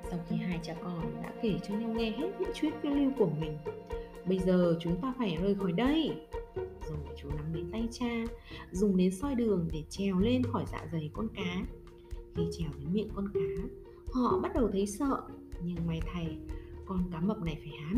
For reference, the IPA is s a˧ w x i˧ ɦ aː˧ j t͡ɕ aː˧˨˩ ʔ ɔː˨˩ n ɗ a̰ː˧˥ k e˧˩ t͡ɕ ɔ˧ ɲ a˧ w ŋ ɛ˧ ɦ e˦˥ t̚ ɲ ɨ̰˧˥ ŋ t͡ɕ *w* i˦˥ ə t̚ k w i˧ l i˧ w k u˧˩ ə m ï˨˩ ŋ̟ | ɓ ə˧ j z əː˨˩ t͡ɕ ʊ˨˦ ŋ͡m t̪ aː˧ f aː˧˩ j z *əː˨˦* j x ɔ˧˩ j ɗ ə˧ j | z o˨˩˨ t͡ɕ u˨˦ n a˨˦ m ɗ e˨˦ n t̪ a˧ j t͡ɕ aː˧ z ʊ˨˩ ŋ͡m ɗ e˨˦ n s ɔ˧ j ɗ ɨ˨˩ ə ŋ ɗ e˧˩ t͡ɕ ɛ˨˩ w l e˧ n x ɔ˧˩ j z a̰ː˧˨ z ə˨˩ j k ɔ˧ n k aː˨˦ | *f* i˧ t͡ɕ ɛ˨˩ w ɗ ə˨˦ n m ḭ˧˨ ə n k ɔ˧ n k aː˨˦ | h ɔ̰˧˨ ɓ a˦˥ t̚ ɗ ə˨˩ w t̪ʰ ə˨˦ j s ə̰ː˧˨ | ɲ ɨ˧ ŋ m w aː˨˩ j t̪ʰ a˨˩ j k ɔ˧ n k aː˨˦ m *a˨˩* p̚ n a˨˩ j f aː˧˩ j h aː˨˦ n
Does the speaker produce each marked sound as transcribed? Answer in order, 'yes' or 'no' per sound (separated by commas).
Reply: yes, no, no, no